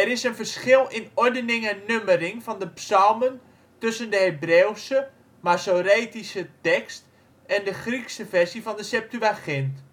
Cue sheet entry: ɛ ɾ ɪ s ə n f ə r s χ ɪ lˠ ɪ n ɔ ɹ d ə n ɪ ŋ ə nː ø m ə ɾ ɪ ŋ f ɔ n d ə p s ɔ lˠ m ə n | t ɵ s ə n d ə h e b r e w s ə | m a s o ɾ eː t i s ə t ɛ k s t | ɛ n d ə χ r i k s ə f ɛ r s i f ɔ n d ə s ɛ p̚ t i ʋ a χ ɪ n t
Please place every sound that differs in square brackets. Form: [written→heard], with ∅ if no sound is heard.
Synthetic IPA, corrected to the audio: ɛ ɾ ɪ s ə n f ə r s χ ɪ lˠ ɪ n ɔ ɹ d ə n ɪ ŋ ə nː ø m ə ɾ ɪ ŋ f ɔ n d ə p s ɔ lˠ m ə n | t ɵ s ə n d ə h e b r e w s ə | m a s o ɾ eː t i s ə t ɛ k s t | ɛ n d ə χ r i k s ə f ɛ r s i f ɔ n d ə s ɛ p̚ t [i→y] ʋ a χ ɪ n t